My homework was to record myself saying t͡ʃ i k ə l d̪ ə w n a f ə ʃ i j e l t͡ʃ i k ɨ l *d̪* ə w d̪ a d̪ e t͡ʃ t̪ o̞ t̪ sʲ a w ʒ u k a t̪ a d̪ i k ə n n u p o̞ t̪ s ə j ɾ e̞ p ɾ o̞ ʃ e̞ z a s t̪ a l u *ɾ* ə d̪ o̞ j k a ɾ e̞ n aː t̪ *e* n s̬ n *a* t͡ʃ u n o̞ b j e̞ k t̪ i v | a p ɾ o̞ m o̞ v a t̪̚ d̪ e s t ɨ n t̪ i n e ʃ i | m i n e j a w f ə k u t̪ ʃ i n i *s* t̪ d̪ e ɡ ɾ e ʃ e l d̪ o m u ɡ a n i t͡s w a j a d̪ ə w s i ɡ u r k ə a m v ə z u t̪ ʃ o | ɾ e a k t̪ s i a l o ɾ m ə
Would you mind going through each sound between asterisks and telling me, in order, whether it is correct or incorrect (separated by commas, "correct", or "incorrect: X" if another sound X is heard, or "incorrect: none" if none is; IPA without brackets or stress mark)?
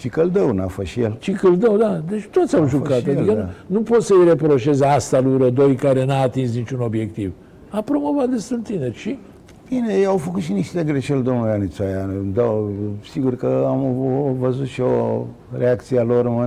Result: correct, correct, incorrect: i, incorrect: i, incorrect: ʃ